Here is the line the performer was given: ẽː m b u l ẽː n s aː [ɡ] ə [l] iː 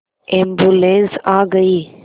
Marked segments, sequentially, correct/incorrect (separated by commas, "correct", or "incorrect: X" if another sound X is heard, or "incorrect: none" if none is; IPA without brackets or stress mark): correct, incorrect: none